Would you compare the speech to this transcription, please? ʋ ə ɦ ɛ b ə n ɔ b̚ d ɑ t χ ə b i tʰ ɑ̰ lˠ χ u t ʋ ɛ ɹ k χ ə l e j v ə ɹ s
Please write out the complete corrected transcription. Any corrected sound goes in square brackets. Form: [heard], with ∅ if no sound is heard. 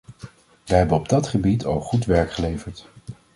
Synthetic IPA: ʋ ə ɦ ɛ b ə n ɔ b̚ d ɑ t χ ə b i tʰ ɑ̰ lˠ χ u t ʋ ɛ ɹ k χ ə l e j v ə ɹ [t]

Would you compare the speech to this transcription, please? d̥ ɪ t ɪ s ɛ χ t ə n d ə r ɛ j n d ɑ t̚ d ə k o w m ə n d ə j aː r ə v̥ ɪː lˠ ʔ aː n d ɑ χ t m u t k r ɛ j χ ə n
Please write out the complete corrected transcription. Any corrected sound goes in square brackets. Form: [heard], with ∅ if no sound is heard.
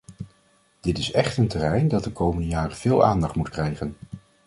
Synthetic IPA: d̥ ɪ t ɪ s ɛ χ t ə n [t] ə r ɛ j n d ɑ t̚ d ə k o w m ə n d ə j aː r ə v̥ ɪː lˠ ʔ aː n d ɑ χ t m u t k r ɛ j χ ə n

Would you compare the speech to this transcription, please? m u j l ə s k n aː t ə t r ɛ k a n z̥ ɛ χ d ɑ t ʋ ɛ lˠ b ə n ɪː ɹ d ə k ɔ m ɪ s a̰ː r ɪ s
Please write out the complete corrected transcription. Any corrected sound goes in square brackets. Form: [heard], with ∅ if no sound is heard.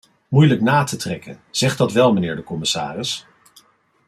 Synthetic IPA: m u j l ə [∅] k n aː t ə t r ɛ k [ə] n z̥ ɛ χ d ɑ t ʋ ɛ lˠ [m] ə n ɪː ɹ d ə k ɔ m ɪ s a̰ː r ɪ s

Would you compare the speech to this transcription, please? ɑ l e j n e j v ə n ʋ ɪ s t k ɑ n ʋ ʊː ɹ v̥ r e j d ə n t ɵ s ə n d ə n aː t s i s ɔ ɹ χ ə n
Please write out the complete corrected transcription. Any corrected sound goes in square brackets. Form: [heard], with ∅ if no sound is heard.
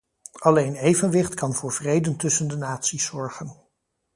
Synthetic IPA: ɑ l e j n e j v ə n ʋ ɪ [χ] t k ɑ n [v] ʊː ɹ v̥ r e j d ə n t ɵ s ə n d ə n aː t s i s ɔ ɹ χ ə n

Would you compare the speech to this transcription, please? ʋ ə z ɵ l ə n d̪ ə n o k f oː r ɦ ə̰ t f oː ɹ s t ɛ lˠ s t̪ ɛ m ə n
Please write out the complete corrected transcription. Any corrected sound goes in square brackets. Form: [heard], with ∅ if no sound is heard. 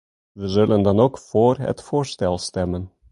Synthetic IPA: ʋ ə z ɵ l ə n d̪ [ɑ] n o k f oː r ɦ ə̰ t f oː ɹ s t ɛ lˠ s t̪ ɛ m ə n

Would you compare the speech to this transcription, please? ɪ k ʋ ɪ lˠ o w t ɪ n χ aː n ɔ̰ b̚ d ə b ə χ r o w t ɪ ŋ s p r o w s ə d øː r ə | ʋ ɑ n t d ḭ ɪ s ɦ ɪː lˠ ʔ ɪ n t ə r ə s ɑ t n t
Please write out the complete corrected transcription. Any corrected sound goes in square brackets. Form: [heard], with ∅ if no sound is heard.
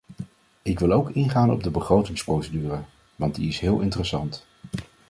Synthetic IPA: ɪ k ʋ ɪ lˠ o w [k] ɪ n χ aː n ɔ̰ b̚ d ə b ə χ r o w t ɪ ŋ s p r o w s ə d [yː] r ə | ʋ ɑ n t d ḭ ɪ s ɦ ɪː lˠ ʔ ɪ n t ə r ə s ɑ [∅] n t

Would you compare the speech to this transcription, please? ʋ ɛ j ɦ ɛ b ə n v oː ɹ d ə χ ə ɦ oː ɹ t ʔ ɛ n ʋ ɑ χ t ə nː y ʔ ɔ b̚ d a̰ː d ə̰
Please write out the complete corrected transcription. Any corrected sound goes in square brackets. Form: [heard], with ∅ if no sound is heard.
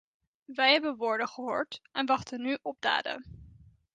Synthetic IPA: ʋ ɛ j ɦ ɛ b ə n [ʋ] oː ɹ d ə χ ə ɦ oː ɹ t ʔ ɛ n ʋ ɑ χ t ə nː y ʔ ɔ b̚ d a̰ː d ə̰

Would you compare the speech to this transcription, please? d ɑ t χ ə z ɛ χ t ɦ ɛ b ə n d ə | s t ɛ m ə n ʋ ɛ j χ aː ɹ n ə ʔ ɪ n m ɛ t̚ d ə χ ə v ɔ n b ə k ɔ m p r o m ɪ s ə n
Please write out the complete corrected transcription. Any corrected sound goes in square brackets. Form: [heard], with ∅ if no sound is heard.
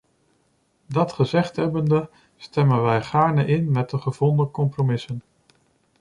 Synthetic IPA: d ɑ t χ ə z ɛ χ t ɦ ɛ b ə n d ə | s t ɛ m ə n ʋ ɛ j χ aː ɹ n ə ʔ ɪ n m ɛ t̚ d ə χ ə v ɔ n [d] ə k ɔ m p r o m ɪ s ə n

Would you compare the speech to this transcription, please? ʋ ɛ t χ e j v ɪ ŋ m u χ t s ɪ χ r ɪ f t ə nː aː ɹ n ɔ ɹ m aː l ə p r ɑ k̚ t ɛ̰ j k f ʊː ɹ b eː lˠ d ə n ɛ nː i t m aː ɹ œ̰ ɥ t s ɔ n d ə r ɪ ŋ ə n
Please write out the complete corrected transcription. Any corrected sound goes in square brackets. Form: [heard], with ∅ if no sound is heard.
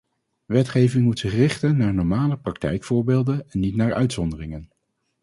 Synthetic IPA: ʋ ɛ t χ e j v ɪ ŋ m u [∅] t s ɪ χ r ɪ [χ] t ə nː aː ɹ n ɔ ɹ m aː l ə p r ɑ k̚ t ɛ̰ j k f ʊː ɹ b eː lˠ d ə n ɛ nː i t [n] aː ɹ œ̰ ɥ t s ɔ n d ə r ɪ ŋ ə n

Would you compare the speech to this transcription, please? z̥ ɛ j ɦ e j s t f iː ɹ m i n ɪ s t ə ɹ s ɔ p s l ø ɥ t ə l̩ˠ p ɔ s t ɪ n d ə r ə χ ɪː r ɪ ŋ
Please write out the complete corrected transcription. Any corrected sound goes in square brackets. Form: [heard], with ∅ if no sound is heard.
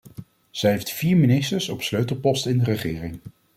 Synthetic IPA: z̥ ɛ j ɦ e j [f] t f iː ɹ m i n ɪ s t ə ɹ s ɔ p s l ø ɥ t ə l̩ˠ p ɔ s t ɪ n d ə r ə χ ɪː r ɪ ŋ

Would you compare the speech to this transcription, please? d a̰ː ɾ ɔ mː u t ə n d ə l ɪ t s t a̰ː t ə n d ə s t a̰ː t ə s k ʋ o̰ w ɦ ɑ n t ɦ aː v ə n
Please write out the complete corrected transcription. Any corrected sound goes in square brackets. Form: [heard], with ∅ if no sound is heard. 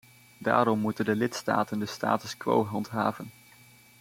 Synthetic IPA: d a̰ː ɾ ɔ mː u t ə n d ə l ɪ t s t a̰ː t ə n d ə s t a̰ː t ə s k ʋ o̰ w ɦ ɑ n t ɦ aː v ə n

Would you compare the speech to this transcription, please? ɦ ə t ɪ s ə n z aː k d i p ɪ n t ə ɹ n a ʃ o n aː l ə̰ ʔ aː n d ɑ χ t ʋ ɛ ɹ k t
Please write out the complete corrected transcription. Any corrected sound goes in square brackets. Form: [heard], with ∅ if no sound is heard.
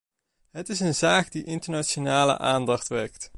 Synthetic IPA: ɦ ə t ɪ s ə n z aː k d i [ʔ] ɪ n t ə ɹ n a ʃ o n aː l ə̰ ʔ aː n d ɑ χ t ʋ ɛ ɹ k t

